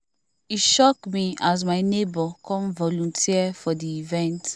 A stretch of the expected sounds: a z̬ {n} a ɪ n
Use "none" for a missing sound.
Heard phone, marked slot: m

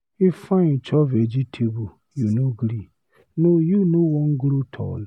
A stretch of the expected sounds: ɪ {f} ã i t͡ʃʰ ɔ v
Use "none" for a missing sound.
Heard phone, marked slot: f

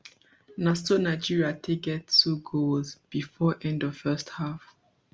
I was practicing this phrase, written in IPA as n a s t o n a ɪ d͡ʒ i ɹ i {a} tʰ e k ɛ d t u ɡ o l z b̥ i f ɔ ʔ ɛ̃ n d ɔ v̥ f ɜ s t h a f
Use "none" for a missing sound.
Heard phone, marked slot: a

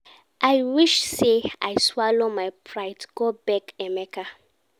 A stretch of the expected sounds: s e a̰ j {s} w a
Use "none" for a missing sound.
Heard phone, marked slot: s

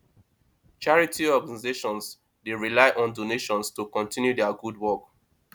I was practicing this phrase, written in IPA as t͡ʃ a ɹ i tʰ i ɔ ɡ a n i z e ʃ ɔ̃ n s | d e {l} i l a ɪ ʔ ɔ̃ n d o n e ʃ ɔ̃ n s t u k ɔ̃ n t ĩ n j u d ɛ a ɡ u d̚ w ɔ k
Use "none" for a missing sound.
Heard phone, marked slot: ɹ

